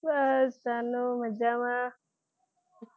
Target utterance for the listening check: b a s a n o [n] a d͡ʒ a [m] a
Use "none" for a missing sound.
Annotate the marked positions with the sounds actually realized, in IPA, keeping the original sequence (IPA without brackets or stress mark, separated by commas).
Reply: m, m